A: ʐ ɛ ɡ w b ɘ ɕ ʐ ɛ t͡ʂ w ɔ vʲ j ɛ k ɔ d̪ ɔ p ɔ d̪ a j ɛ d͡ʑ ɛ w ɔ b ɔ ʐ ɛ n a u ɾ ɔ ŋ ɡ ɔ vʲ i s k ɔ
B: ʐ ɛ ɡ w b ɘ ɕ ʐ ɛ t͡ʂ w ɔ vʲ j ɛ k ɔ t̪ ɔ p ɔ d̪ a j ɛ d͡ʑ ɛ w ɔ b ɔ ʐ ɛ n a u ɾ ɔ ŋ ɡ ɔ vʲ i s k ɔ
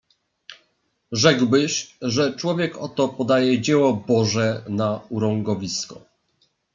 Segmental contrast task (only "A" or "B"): B